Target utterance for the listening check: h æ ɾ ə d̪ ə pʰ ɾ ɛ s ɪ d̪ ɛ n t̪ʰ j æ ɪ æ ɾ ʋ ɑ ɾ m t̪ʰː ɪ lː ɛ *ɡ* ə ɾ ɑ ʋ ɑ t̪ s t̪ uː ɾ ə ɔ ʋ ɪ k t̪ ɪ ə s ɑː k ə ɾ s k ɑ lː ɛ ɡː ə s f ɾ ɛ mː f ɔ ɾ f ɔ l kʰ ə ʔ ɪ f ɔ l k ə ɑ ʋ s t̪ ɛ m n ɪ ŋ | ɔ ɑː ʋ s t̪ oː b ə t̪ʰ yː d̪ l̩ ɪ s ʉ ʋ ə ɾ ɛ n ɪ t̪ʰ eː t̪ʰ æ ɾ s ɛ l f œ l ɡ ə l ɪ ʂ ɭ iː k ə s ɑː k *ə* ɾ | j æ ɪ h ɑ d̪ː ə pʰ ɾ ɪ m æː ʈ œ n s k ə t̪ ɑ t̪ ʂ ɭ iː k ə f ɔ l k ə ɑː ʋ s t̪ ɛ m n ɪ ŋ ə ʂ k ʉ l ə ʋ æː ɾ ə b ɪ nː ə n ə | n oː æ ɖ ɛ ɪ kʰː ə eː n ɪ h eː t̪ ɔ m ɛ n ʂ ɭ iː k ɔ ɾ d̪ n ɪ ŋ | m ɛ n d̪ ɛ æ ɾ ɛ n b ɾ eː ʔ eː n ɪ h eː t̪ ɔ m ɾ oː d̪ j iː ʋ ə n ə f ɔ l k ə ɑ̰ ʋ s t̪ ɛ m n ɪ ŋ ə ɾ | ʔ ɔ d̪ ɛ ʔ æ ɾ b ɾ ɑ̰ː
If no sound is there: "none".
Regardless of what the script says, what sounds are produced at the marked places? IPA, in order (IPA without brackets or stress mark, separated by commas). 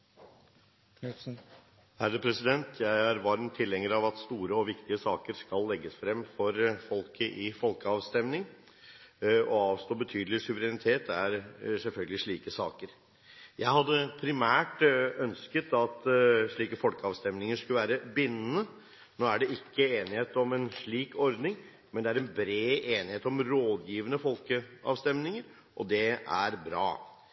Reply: ŋ, ə